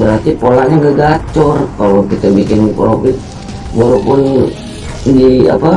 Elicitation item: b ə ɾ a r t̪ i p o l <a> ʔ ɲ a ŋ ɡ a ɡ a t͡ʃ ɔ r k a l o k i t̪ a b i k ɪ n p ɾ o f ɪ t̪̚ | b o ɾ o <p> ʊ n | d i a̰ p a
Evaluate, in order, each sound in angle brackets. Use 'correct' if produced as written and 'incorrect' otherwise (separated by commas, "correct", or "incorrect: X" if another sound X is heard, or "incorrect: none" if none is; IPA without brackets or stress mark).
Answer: correct, correct